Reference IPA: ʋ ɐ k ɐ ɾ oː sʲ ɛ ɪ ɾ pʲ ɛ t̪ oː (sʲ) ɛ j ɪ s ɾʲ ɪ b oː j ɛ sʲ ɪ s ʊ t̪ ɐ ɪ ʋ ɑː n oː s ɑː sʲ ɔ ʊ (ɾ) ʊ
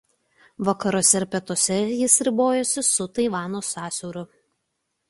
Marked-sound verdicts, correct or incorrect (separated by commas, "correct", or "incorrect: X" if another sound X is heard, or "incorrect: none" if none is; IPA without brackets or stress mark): correct, correct